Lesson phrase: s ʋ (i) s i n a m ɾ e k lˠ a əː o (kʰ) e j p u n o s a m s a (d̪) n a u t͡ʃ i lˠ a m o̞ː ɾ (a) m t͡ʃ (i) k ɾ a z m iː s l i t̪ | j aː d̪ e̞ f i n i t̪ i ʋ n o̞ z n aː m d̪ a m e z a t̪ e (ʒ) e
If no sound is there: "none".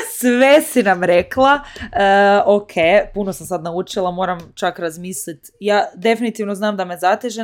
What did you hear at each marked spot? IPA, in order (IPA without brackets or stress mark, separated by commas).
e, kʰ, d̪, a, a, ʒ